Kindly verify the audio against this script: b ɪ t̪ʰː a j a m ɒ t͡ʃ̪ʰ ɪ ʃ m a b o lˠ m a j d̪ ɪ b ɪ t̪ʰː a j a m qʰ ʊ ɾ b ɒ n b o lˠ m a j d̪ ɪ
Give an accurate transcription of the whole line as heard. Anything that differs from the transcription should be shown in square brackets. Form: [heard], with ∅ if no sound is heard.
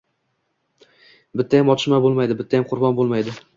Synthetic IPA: b ɪ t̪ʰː a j a m ɒ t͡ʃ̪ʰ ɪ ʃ m a b o lˠ m a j d̪ ɪ b ɪ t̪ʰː a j a m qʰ ʊ ɾ b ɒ n b o lˠ m a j d̪ ɪ